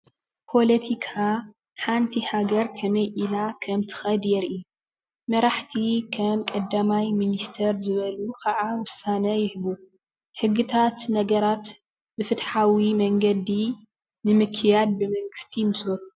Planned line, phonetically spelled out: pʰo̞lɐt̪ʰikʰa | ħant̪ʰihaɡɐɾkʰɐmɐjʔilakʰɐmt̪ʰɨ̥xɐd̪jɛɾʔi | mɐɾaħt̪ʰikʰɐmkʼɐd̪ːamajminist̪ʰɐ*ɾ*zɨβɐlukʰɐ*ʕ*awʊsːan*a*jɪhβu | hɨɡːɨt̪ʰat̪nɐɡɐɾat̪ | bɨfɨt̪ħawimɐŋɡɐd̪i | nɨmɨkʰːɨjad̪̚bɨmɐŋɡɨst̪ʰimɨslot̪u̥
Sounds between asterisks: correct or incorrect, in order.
correct, correct, incorrect: ɐ

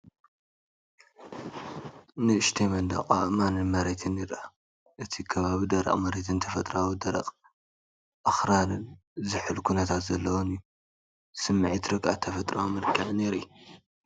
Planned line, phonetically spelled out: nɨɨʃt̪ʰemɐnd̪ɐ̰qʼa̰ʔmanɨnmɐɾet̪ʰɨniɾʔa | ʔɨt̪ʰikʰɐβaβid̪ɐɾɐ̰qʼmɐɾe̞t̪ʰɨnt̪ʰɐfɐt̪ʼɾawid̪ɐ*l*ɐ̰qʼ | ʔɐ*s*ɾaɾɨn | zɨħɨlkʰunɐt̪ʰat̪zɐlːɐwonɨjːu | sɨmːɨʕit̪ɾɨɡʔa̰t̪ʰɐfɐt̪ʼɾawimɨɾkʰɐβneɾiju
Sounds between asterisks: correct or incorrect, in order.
incorrect: ɾ, incorrect: x

